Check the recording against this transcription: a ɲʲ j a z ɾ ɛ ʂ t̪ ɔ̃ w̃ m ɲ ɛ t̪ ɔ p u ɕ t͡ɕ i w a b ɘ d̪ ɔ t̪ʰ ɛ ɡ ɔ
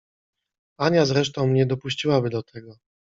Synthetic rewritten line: a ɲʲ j a z ɾ ɛ ʂ t̪ ɔ̃ w̃ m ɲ ɛ d̪ ɔ p u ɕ t͡ɕ i w a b ɘ d̪ ɔ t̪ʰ ɛ ɡ ɔ